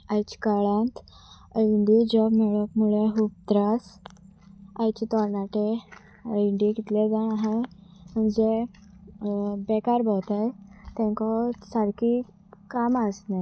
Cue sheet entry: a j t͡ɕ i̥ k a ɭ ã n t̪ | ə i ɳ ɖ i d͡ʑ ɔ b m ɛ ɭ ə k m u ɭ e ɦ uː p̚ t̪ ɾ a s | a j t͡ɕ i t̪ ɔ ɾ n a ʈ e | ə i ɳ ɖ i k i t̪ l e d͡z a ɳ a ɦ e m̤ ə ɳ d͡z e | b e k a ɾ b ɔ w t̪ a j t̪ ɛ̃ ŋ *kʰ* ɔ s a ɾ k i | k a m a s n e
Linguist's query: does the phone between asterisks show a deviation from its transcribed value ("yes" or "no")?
yes